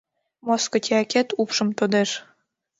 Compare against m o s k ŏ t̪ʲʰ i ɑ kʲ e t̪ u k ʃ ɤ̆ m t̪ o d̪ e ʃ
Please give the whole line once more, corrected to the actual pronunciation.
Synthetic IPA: m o s k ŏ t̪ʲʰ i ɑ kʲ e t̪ u p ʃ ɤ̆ m t̪ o d̪ e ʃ